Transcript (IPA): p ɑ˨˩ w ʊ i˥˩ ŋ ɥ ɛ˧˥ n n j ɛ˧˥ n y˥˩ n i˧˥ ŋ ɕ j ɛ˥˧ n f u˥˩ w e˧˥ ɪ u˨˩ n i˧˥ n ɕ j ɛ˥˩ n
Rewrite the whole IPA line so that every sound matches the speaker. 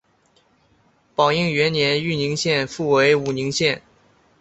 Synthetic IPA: p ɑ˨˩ ʊ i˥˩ ŋ ɥ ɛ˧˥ n n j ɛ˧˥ n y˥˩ n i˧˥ ŋ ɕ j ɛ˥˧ n f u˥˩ w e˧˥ ɪ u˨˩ n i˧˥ ŋ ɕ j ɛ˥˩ n